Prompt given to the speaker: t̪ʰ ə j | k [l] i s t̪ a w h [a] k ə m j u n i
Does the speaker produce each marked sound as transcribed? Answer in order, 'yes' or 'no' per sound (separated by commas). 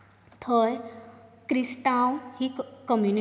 no, no